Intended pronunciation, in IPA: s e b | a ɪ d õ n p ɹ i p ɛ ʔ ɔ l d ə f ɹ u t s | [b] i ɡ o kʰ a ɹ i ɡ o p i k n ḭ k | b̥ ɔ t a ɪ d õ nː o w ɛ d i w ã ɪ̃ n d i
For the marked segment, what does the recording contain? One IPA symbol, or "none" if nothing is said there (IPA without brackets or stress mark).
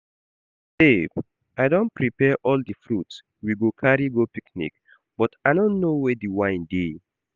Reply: w